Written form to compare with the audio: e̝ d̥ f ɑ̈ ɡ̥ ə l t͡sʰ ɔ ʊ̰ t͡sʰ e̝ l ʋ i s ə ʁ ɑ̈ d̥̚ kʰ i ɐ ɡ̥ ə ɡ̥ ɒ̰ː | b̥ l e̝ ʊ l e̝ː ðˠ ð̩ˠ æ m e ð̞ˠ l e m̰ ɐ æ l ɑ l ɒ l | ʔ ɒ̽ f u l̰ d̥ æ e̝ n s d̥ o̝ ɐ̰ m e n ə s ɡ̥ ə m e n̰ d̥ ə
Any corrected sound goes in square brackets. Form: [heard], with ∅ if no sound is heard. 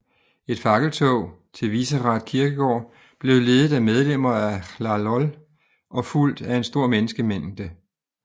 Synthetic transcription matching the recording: e̝ d̥ f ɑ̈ ɡ̥ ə l t͡sʰ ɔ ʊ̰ t͡sʰ e̝ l ʋ i s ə ʁ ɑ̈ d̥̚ kʰ i ɐ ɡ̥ ə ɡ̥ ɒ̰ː | b̥ l e̝ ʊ l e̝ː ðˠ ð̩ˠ æ m e ð̞ˠ l e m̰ ɐ æ l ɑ l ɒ l | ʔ ɒ̽ f u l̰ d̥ æ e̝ n s d̥ o̝ ɐ̰ m e n ə s ɡ̥ ə m e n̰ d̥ ə